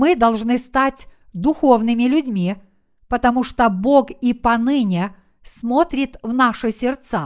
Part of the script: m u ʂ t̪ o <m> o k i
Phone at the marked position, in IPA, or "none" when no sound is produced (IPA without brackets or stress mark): b